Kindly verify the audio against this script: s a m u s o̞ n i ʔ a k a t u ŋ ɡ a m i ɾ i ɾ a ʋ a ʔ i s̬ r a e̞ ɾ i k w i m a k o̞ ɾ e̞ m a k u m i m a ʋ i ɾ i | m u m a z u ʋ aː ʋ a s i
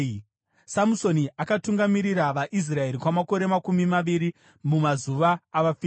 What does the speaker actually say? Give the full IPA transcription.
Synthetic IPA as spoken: s a m u s o̞ n i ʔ a k a t u ŋ ɡ a m i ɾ i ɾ a ʋ a ʔ i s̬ r a e̞ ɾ i k w a m a k o̞ ɾ e̞ m a k u m i m a ʋ i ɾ i | m u m a z u ʋ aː ʋ a f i